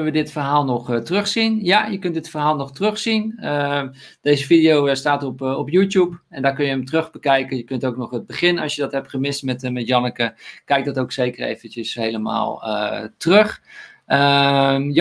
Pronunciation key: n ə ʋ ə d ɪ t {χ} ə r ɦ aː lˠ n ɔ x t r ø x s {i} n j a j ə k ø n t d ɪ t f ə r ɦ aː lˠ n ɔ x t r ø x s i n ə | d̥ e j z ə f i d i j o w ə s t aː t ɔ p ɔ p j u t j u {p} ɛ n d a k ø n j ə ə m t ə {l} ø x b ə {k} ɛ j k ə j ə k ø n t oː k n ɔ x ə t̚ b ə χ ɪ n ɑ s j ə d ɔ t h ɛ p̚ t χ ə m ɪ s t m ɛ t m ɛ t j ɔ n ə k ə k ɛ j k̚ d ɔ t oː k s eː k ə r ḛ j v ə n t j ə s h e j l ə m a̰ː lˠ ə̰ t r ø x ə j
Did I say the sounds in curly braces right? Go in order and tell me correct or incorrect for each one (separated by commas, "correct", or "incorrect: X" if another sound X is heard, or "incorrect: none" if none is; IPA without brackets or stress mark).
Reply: incorrect: f, correct, correct, incorrect: r, correct